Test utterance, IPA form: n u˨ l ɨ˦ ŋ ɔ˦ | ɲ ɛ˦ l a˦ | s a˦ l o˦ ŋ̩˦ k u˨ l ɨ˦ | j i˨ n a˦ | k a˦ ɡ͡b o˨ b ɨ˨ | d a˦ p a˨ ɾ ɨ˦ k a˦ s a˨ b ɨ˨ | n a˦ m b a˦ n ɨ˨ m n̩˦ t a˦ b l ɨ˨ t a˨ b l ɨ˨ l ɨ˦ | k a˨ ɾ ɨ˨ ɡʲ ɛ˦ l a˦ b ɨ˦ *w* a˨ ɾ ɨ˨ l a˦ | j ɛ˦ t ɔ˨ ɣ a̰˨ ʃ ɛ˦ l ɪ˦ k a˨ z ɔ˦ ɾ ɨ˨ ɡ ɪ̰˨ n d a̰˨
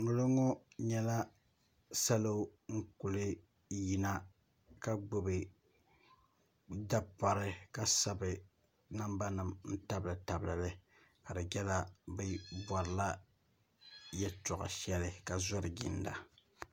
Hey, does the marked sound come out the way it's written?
no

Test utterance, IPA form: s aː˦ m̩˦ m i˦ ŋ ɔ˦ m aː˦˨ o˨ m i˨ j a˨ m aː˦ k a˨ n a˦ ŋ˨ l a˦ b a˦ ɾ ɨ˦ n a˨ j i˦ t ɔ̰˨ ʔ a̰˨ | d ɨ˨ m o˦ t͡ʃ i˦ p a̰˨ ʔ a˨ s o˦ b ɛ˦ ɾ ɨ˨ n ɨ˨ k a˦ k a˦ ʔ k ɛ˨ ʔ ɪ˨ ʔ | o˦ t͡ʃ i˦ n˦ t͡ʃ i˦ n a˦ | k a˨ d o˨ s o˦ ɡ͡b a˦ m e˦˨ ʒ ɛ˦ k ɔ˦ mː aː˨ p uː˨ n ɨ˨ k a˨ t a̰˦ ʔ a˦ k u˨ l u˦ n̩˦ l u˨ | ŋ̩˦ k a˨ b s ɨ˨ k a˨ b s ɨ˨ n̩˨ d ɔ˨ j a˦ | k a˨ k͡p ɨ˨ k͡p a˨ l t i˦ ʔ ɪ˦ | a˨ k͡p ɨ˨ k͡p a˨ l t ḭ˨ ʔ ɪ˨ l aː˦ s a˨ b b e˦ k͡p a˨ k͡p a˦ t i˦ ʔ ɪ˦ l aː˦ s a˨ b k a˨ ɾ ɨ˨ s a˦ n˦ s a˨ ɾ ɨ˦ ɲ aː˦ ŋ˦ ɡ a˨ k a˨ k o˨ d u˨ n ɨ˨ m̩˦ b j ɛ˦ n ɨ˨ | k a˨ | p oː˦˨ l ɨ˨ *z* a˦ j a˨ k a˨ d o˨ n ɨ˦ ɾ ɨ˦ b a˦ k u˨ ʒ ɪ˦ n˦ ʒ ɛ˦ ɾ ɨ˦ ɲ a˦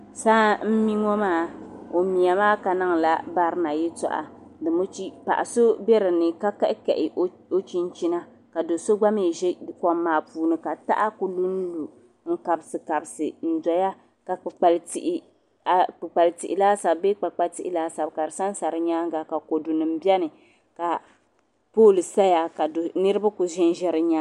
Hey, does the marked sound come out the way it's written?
no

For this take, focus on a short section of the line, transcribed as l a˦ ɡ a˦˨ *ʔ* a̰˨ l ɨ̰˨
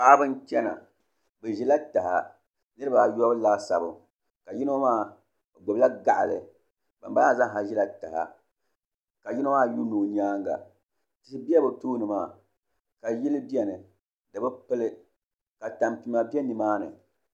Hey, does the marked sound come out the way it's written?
yes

